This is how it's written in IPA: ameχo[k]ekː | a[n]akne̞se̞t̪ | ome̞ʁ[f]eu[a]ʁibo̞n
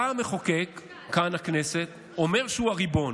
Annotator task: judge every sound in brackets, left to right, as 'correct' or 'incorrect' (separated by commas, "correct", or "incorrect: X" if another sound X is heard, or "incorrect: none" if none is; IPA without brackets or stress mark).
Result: correct, correct, incorrect: ʃ, correct